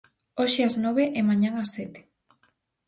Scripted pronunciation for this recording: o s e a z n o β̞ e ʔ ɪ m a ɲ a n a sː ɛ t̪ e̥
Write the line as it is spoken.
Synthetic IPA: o ʃ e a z n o β̞ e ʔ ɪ m a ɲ a ŋ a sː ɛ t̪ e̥

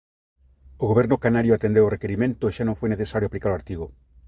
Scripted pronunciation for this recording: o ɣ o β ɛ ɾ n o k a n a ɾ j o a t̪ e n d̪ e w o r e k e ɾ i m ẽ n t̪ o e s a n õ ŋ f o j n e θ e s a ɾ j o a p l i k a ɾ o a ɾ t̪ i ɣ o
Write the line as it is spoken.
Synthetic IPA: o ɣ o β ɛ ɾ n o k a n a ɾ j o a t̪ e n d̪ e w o r e k e ɾ i m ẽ n t̪ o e ʃ a n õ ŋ f o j n e θ e s a ɾ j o a p l i k a ɾ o a ɾ t̪ i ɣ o

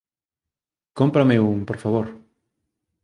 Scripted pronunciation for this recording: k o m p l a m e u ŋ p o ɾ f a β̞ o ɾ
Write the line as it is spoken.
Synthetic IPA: k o m p ɾ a m e u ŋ p o ɾ f a β̞ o ɾ

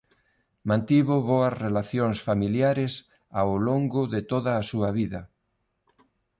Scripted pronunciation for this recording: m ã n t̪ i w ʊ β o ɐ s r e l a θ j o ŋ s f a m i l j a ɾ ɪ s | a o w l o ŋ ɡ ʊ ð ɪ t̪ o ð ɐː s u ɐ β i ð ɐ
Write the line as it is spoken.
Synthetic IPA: m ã n t̪ i β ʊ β o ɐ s r e l a θ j o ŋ s f a m i l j a ɾ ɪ s | a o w l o ŋ ɡ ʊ ð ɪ t̪ o ð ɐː s u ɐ β i ð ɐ

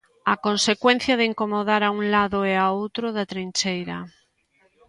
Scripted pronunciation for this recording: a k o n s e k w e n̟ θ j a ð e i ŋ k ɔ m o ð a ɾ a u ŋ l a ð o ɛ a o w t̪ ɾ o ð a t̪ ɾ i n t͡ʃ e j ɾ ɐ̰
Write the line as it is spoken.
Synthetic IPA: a k o n s e k w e n̟ θ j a ð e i ŋ k o m o ð a ɾ a u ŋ l a ð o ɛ a o w t̪ ɾ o ð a t̪ ɾ i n t͡ʃ e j ɾ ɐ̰

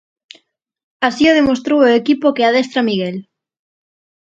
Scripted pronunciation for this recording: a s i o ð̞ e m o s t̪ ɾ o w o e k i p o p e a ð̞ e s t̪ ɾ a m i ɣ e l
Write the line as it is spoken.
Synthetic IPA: a s i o ð̞ e m o s t̪ ɾ o w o e k i p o k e a ð̞ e s t̪ ɾ a m i ɣ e l

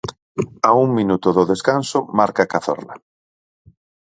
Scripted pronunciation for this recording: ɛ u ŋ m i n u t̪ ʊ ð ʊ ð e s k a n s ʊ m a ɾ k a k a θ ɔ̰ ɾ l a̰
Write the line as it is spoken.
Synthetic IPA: a u ŋ m i n u t̪ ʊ ð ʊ ð e s k a n s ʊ m a ɾ k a k a θ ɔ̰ ɾ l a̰

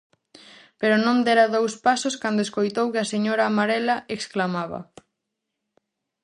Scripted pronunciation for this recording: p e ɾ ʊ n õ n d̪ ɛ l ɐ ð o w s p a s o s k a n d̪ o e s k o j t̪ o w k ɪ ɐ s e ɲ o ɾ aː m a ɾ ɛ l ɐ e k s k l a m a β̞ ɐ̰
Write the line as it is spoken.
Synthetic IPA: p e ɾ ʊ n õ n d̪ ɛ ɾ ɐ ð o w s p a s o s k a n d̪ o e s k o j t̪ o w k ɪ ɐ s e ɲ o ɾ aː m a ɾ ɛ l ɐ e k s k l a m a β̞ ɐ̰

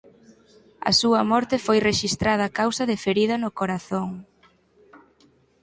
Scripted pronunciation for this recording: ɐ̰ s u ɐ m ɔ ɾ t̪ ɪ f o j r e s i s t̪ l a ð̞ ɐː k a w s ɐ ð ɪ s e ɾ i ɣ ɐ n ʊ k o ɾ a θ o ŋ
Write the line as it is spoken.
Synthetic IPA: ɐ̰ s u ɐ m ɔ ɾ t̪ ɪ f o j r e ʃ i s t̪ ɾ a ð̞ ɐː k a w s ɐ ð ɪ f e ɾ i ð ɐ n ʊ k o ɾ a θ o ŋ

